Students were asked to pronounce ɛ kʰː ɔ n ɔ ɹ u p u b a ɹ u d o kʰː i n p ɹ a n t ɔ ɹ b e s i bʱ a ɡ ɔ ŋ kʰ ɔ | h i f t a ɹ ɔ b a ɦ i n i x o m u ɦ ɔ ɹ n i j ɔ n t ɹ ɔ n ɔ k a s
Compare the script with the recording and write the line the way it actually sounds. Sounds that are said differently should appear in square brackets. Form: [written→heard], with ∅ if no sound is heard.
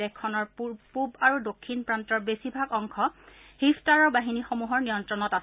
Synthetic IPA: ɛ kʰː ɔ n ɔ ɹ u p u b a ɹ u d o kʰː i n p ɹ a n t ɔ ɹ b e s i bʱ a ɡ ɔ ŋ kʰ ɔ | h i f t a ɹ ɔ b a ɦ i n i x o m u ɦ ɔ ɹ n i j ɔ n t ɹ ɔ n ɔ [k→t] a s